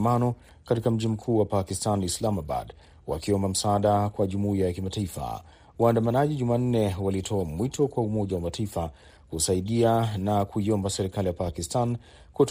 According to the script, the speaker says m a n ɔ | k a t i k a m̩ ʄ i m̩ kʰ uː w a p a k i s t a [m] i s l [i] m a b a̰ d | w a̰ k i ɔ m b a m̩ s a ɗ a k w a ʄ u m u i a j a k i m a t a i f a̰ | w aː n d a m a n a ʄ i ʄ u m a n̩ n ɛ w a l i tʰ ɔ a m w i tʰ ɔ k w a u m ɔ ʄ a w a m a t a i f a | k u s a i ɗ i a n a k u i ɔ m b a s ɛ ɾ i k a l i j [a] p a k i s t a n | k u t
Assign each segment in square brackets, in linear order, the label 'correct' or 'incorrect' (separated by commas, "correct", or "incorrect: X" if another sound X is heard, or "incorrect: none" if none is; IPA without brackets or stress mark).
incorrect: n, incorrect: a, correct